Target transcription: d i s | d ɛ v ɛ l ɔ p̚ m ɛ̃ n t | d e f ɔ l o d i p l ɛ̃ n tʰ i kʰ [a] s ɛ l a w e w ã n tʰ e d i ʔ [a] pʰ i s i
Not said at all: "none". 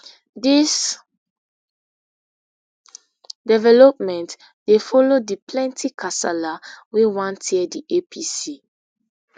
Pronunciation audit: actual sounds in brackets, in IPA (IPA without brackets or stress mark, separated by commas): a, e